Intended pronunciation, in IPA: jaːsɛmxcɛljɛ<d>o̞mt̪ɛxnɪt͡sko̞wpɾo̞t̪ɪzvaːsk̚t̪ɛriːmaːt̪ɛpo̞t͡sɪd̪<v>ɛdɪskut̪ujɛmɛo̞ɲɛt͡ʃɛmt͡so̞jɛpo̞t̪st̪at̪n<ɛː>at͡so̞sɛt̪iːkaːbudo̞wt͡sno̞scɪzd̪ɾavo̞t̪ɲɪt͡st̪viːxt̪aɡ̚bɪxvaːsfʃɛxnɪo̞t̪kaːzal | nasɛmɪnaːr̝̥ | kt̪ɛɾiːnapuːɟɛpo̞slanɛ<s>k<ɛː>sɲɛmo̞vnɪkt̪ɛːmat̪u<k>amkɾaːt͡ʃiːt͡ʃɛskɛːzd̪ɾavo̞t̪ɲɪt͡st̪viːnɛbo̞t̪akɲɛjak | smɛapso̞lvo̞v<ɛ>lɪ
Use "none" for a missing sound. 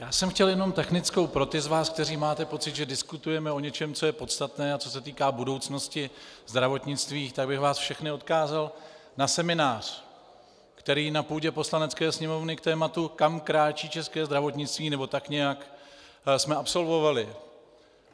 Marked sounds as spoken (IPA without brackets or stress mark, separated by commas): n, ʒ, ɛː, t͡s, ɛː, k, a